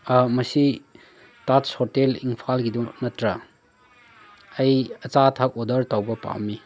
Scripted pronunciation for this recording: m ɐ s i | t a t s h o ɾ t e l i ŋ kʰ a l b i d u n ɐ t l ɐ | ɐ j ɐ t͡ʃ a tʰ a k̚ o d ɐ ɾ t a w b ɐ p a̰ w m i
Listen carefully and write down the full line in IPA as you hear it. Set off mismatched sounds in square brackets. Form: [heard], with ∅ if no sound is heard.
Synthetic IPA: m ɐ s i | t a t s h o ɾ t e l i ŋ [pʰ] a l [ɡ] i d u n ɐ t [ɾ] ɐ | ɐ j ɐ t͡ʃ a tʰ a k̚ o d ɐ ɾ t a w b ɐ p a̰ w m i